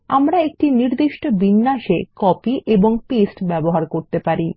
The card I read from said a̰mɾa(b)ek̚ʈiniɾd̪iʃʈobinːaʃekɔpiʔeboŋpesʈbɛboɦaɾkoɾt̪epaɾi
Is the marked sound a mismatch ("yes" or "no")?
yes